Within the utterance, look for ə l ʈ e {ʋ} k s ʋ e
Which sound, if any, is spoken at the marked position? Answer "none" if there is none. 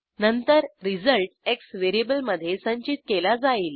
none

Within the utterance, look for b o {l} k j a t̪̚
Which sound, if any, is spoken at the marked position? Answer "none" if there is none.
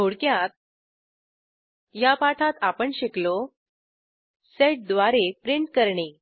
ɽ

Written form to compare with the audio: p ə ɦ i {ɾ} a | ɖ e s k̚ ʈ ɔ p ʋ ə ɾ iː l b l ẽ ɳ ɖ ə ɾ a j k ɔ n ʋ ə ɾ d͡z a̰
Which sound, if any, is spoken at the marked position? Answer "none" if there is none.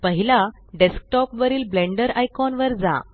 l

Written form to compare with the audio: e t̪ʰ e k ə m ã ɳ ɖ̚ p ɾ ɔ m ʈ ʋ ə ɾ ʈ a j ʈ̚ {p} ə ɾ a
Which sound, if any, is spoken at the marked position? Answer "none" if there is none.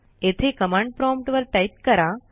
k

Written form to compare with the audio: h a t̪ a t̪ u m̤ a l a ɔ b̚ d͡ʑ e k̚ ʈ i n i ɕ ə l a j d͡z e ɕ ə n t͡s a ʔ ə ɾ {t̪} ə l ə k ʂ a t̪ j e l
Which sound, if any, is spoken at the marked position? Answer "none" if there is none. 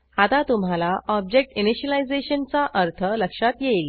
t̪ʰ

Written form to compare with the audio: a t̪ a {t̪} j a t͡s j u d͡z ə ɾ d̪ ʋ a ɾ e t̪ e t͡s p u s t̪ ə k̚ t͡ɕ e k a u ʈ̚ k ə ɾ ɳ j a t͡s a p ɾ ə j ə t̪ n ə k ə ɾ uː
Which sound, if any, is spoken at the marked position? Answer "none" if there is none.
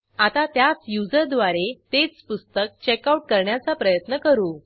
t̪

